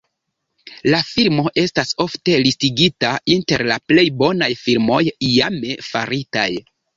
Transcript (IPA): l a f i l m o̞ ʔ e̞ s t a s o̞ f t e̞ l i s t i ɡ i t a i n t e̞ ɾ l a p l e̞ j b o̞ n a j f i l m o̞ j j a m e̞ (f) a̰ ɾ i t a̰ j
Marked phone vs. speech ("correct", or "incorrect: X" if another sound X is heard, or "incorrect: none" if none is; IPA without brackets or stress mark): correct